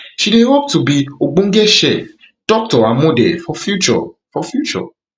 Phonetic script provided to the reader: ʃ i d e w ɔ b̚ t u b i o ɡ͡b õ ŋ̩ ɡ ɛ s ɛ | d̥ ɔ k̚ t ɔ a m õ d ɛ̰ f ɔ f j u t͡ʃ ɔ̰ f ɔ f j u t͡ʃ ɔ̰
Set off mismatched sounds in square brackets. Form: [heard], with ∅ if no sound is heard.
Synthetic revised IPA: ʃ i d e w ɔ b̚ t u b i o ɡ͡b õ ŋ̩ ɡ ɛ [ʃ] ɛ | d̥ ɔ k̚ t ɔ a m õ d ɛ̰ f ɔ f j u t͡ʃ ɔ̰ f ɔ f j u t͡ʃ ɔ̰